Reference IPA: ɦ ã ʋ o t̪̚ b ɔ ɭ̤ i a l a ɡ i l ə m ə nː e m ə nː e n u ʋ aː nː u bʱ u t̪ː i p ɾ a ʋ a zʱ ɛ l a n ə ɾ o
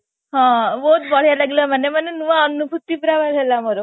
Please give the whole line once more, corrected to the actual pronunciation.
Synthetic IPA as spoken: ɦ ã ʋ o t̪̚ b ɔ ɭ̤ j a l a ɡ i l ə m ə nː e m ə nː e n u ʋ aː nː u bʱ u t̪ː i p ɾ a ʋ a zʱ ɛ l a m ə ɾ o